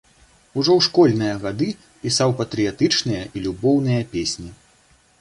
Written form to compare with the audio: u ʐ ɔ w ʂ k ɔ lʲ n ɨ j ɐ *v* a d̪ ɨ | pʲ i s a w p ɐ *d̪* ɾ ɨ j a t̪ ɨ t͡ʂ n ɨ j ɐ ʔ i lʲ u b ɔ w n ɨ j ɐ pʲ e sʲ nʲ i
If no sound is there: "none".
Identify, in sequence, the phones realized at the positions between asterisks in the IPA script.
ɣ, t̪

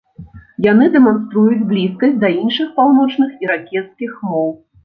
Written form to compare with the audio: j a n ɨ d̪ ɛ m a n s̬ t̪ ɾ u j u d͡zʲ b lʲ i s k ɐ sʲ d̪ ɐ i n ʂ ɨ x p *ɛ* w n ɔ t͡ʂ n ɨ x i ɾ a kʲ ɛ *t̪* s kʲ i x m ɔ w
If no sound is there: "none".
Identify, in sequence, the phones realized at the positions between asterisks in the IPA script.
a, t̪

